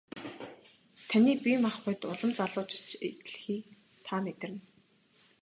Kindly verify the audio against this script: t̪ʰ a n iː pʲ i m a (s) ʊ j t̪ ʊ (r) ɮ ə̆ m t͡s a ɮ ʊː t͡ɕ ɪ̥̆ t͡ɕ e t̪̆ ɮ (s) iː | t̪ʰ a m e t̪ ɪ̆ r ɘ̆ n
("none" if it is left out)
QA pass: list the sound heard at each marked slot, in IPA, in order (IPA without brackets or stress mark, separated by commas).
χ, none, x